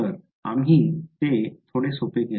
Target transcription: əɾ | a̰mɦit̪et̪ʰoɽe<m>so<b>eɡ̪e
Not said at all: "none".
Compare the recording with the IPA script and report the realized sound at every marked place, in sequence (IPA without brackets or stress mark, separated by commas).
none, p